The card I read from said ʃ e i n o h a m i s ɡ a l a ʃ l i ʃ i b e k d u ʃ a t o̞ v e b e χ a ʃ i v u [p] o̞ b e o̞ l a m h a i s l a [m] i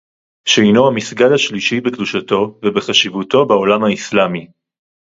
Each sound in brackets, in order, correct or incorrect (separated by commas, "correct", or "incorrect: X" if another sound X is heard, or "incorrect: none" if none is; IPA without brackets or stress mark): incorrect: t, correct